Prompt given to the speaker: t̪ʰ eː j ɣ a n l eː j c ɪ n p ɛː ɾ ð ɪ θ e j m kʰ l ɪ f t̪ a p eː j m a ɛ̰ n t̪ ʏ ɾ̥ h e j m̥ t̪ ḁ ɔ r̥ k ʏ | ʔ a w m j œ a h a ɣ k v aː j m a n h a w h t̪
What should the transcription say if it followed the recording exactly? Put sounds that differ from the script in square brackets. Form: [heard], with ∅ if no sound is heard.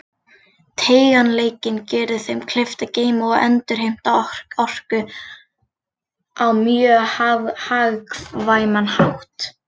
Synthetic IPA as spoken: t̪ʰ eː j ɣ a n l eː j c ɪ n [c] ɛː ɾ ð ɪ θ e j m kʰ l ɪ f t̪ a [c] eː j m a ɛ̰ n t̪ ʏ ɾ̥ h e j m̥ t̪ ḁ ɔ r̥ k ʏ | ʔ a w m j œ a h a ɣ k v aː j m a n h a w h t̪